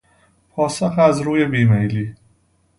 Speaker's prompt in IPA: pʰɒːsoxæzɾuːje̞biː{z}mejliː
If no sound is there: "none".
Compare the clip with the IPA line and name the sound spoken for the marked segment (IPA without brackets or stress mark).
none